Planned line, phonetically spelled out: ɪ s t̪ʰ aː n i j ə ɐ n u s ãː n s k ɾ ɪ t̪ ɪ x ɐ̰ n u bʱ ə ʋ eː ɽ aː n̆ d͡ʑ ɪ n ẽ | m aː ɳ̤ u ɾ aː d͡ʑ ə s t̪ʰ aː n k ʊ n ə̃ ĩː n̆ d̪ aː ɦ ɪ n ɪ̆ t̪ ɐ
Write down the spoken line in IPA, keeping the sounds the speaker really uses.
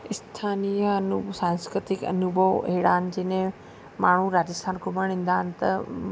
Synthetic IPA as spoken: ɪ s t̪ʰ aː n i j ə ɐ n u s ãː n s k ɾ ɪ t̪ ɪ k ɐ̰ n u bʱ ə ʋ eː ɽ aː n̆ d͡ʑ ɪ n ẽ | m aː ɳ̤ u ɾ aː d͡ʑ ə s t̪ʰ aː n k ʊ m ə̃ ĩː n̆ d̪ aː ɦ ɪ n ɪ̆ t̪ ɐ